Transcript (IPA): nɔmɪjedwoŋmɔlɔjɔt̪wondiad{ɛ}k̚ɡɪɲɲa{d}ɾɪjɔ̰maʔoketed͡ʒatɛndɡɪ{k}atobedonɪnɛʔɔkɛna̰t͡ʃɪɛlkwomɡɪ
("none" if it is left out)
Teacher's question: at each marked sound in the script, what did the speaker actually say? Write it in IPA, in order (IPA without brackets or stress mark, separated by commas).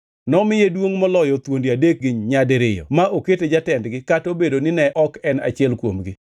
e, d, k